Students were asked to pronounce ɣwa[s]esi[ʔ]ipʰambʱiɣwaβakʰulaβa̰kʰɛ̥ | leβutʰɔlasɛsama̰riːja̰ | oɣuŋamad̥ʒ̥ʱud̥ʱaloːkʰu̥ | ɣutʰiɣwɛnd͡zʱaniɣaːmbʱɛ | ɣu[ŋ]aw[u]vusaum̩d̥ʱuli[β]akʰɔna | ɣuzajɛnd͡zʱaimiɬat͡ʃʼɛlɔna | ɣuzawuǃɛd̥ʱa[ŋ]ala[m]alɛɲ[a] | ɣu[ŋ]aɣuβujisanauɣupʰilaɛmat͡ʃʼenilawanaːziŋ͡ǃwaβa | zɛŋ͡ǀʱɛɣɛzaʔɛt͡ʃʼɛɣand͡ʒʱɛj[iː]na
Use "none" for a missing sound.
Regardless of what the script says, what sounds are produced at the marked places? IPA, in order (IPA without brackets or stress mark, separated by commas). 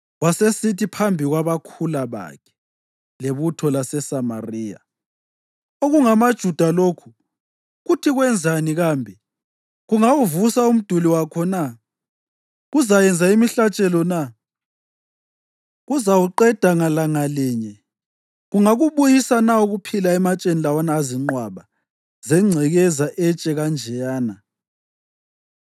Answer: s, t, ŋ, u, w, ŋ, ŋ, ɛ, ŋ, aː